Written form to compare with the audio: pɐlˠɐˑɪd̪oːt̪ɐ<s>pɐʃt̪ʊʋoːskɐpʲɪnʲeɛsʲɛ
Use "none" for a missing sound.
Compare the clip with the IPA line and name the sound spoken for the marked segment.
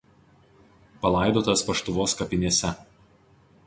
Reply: s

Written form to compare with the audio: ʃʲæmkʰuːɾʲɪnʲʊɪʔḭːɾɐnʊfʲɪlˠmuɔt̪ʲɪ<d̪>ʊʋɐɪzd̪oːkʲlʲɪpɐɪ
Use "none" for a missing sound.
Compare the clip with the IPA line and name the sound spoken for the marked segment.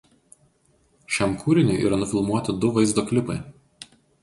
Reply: d̪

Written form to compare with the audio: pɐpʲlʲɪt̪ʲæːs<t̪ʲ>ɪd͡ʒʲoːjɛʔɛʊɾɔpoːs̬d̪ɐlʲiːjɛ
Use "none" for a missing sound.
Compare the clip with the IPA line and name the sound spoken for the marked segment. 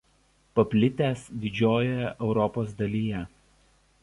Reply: d̪ʲ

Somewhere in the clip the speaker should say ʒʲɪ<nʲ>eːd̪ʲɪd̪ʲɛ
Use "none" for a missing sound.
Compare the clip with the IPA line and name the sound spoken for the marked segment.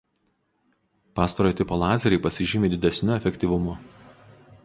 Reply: mʲ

